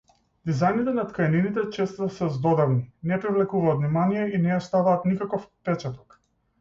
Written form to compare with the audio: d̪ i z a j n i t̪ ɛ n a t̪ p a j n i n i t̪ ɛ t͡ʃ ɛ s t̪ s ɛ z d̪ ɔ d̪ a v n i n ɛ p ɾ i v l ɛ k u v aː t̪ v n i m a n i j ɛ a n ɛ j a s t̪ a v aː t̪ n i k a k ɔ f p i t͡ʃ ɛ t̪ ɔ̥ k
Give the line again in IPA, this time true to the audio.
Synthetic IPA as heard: d̪ i z a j n i t̪ ɛ n a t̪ k a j n i n i t̪ ɛ t͡ʃ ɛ s t̪ s ɛ z d̪ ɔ d̪ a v n i n ɛ p ɾ i v l ɛ k u v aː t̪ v n i m a n i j ɛ i n ɛ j a s t̪ a v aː t̪ n i k a k ɔ f p ɛ t͡ʃ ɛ t̪ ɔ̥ k